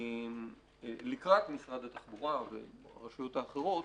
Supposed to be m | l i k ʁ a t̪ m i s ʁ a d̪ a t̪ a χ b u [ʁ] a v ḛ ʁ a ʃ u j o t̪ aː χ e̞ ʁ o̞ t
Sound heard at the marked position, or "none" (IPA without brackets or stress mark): ʁ